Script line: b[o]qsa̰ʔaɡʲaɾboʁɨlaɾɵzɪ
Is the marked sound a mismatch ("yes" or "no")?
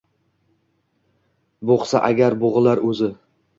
no